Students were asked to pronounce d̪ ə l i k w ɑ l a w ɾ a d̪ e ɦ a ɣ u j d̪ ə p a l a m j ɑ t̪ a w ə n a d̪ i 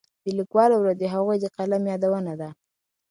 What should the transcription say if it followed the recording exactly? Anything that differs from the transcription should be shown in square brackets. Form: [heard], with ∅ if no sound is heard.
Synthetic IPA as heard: d̪ ə l i k w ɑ l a w ɾ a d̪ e ɦ a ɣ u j d̪ ə [q] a l a m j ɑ [d̪] a w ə n a d̪ [a]